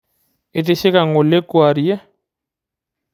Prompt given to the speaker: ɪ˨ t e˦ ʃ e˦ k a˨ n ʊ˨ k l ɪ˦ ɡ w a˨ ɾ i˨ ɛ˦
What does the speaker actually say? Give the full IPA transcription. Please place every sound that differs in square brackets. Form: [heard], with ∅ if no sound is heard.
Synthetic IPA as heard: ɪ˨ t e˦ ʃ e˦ k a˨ [ŋ] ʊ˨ [∅] l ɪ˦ [k] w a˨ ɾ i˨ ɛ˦

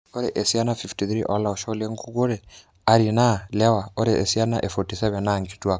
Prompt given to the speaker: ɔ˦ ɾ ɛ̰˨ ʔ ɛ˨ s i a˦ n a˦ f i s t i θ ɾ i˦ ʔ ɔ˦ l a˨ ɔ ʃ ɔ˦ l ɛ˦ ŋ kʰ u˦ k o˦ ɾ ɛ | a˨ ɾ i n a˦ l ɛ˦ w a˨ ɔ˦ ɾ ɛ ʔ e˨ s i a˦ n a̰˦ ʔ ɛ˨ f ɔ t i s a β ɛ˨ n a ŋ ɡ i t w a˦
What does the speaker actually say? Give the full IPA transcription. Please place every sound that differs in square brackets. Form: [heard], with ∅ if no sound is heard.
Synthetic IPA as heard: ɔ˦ ɾ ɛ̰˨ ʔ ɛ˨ s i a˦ n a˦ f i [f] t i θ ɾ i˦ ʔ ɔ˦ l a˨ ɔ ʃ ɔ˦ l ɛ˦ ŋ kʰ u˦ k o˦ ɾ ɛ | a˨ ɾ i n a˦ l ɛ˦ w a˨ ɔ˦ ɾ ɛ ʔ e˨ s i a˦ n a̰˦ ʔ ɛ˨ f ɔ t i s [ɛ] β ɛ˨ n a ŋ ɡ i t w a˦

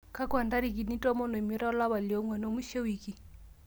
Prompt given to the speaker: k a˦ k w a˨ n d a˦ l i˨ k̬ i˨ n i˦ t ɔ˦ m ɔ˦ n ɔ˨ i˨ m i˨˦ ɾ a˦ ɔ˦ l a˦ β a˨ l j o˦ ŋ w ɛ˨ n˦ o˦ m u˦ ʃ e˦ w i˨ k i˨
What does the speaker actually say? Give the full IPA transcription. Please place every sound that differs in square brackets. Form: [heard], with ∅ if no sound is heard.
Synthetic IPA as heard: k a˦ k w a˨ n d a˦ [ɾ] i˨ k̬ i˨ n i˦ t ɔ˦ m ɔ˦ n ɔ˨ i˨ m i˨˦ ɾ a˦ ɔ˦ l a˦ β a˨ l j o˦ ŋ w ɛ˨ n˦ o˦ m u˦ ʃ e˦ w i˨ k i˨

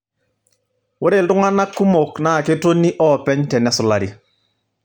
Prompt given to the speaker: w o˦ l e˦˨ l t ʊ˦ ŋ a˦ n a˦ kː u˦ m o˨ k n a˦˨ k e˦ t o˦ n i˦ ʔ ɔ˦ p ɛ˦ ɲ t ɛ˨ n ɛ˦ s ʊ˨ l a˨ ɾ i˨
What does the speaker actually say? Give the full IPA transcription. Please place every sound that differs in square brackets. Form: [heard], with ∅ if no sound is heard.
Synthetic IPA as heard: w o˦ [ɾ] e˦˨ l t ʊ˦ ŋ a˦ n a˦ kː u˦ m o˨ k n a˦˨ k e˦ t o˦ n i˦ ʔ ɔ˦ p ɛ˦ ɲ t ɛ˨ n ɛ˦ s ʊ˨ l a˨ ɾ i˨

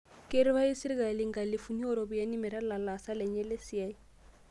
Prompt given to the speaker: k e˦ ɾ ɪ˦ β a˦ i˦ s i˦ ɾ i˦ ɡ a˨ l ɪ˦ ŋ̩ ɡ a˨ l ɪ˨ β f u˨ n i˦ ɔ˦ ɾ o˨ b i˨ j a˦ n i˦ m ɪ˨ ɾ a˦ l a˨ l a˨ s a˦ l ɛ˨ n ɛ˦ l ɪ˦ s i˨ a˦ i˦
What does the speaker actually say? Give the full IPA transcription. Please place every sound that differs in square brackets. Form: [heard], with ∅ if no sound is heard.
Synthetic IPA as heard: k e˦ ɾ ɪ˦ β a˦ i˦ s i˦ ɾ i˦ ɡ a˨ l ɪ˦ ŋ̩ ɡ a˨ l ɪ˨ [∅] f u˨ n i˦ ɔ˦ ɾ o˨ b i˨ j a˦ n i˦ m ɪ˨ ɾ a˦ l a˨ l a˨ s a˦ l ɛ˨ [ɲ] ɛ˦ l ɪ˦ s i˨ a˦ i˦

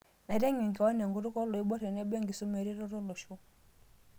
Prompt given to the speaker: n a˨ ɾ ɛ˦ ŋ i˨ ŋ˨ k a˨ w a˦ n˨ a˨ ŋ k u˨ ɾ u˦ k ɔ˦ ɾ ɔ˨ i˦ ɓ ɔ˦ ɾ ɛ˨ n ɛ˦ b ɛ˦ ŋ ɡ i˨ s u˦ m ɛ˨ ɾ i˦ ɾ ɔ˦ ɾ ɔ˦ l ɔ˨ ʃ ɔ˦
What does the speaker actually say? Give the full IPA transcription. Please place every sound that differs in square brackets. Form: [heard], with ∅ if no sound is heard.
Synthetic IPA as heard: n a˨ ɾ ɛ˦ ŋ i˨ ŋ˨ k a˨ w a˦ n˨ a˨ ŋ [ɡ] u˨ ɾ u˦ k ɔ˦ [l] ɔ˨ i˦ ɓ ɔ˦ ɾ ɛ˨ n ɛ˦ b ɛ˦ ŋ ɡ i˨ s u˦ m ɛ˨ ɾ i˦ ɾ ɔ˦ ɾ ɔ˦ l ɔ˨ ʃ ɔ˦

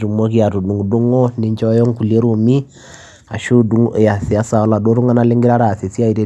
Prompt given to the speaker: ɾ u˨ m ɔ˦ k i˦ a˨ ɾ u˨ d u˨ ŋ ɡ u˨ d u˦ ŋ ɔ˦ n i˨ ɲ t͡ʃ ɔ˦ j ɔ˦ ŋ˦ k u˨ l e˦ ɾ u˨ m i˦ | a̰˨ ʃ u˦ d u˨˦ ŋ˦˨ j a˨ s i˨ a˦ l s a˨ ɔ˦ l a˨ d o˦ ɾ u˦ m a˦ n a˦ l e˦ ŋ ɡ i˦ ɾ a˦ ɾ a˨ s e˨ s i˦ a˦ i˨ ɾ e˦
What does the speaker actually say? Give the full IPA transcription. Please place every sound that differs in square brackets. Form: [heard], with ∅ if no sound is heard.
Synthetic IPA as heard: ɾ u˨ m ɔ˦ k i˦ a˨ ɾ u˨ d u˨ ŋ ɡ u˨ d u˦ ŋ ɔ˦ n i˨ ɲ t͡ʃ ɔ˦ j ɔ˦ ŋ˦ k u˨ l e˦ ɾ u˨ m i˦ | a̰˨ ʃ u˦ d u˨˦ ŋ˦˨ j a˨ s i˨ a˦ [∅] s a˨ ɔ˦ l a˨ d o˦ ɾ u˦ [ŋ] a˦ n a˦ l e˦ ŋ ɡ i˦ ɾ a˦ ɾ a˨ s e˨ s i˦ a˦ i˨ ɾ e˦

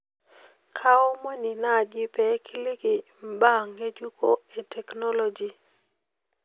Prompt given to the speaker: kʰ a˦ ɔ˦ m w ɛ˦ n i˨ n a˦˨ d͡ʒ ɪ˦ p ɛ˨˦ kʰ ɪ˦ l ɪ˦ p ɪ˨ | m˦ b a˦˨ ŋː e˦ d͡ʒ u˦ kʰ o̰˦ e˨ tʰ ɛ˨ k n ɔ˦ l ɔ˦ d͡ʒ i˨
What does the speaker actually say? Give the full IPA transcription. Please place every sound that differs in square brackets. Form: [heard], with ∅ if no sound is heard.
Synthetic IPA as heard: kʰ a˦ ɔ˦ m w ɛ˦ n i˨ n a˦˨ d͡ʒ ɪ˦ p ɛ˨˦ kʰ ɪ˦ l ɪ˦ [k] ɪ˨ | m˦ b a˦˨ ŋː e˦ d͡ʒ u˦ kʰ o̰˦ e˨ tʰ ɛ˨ k n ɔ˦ l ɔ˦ d͡ʒ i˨

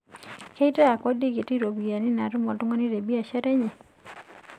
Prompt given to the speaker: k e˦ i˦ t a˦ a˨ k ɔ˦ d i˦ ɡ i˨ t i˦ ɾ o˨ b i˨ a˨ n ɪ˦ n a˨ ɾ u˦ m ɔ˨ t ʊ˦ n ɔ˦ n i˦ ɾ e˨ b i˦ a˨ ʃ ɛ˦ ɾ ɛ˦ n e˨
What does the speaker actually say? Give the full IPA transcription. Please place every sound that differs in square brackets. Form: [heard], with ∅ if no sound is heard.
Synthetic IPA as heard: k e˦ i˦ t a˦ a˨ k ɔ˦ d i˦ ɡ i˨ t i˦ ɾ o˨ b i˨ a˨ n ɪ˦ n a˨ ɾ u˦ m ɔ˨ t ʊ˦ [ŋ] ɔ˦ n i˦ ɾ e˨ b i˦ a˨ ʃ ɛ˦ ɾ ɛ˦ [ɲ] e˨

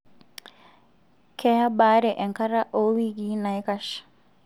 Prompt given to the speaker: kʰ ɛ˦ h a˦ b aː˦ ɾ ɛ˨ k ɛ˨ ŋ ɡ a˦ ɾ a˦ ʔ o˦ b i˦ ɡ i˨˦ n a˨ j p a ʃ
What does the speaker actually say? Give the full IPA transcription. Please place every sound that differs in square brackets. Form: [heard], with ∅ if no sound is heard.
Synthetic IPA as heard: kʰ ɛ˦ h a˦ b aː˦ ɾ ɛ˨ [ʔ] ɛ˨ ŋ [k] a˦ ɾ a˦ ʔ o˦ [w] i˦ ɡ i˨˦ n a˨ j [k] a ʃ

